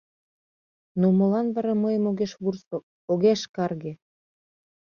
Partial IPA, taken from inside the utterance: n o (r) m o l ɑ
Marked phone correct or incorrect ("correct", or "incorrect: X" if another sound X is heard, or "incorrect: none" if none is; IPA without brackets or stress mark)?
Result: incorrect: none